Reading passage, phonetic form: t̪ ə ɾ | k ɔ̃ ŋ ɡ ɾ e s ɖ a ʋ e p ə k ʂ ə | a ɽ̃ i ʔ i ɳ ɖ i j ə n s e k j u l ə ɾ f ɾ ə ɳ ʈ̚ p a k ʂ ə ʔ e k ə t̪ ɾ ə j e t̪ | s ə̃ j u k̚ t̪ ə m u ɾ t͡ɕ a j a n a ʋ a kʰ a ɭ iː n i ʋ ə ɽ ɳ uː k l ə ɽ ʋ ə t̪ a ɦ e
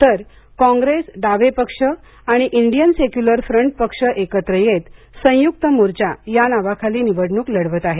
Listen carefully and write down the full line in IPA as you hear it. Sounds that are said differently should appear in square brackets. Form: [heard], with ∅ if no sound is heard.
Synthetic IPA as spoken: t̪ ə ɾ | k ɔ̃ ŋ ɡ ɾ e s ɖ a ʋ e p ə k ʂ ə | a ɽ̃ i ʔ i ɳ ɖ i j ə n s e k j u l ə ɾ f ɾ ə ɳ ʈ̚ p [ə] k ʂ ə ʔ e k ə t̪ ɾ ə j e t̪ | s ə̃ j u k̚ t̪ ə m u ɾ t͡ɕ a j a n a ʋ a kʰ a [l] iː n i ʋ ə ɽ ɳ uː k l ə ɽ ʋ ə t̪ a ɦ e